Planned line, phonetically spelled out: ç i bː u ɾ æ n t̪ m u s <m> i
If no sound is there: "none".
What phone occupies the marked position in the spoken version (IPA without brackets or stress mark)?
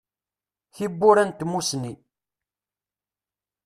n